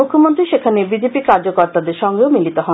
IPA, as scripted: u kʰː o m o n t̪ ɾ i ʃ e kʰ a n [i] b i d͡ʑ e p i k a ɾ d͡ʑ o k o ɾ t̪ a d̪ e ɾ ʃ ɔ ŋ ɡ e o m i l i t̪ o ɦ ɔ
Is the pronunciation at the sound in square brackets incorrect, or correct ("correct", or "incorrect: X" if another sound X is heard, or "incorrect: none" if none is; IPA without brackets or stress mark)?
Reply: incorrect: e